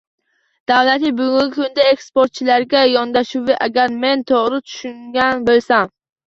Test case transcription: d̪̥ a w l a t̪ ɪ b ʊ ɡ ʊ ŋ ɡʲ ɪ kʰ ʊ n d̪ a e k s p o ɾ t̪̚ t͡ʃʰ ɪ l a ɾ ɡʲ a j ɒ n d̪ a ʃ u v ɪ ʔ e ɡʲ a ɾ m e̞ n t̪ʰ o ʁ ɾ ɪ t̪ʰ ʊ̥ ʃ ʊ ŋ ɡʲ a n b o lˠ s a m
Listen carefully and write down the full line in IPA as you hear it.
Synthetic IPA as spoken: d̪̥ a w l a t̪ ɪ b ʊ ɡ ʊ ŋ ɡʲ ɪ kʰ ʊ n d̪ a e k s p o ɾ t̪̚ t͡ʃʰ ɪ l a ɾ ɡʲ a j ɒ n d̪ a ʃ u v ɪ ʔ a ɡʲ a ɾ m e̞ n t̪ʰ o ʁ ɾ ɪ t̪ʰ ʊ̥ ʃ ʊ ŋ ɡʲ a n b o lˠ s a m